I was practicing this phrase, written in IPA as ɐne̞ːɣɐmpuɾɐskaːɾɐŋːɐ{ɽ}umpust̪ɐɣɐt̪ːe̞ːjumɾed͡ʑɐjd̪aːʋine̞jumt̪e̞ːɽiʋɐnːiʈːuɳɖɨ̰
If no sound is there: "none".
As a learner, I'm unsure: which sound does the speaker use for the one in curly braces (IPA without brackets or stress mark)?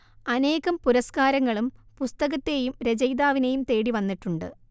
ɭ